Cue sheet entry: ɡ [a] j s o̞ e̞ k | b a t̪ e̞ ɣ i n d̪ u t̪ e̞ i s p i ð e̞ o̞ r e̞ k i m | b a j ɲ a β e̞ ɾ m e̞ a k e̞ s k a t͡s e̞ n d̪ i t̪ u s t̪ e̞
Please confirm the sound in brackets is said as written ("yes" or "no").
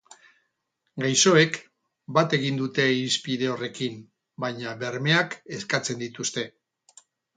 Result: yes